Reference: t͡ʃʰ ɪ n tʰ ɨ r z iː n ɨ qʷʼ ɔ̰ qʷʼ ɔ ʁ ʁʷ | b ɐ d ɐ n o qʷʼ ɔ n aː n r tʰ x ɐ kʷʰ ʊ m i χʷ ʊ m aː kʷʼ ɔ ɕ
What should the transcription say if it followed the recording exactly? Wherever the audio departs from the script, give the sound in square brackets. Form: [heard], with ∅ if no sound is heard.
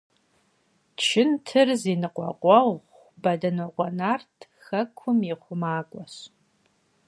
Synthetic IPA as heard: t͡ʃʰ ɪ n tʰ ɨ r z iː n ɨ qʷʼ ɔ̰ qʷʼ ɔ ʁ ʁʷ | b ɐ d ɐ n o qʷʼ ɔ n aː [∅] r tʰ x ɐ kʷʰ ʊ m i χʷ ʊ m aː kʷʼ ɔ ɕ